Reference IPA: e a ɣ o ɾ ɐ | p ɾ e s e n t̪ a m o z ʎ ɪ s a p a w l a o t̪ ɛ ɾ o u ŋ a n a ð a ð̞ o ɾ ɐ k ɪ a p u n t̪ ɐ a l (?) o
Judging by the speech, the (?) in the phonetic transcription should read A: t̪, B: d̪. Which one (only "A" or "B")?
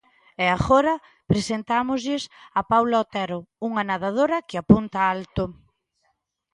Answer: A